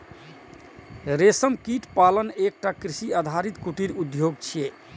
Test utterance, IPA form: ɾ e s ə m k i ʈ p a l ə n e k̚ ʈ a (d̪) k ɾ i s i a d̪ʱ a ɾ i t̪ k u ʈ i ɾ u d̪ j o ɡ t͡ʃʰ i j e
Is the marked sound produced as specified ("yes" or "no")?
no